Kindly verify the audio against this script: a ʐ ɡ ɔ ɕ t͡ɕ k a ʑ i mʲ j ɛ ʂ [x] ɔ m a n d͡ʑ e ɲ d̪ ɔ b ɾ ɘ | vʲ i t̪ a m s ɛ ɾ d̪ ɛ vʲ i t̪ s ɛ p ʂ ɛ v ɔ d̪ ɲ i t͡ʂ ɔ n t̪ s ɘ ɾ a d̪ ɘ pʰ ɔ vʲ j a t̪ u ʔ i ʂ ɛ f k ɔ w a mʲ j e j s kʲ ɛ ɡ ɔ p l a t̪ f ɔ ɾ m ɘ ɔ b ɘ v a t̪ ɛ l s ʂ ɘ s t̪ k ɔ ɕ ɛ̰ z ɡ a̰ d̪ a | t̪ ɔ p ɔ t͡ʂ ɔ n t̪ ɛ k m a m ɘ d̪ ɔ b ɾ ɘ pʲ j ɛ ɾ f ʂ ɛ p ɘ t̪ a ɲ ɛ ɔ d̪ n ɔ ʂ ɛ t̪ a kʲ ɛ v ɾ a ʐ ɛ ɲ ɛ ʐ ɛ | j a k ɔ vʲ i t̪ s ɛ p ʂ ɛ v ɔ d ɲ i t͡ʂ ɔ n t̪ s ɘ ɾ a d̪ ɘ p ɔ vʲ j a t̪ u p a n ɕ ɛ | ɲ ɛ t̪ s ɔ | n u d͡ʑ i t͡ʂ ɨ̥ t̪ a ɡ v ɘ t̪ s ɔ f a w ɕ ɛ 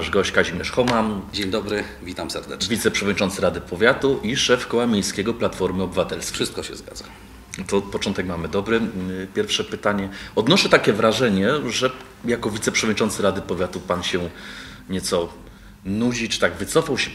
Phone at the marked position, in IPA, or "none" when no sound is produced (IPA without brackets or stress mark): x